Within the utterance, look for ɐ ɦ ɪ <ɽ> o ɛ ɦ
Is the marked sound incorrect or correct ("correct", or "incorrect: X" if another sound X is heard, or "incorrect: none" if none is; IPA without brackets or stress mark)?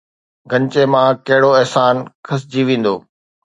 correct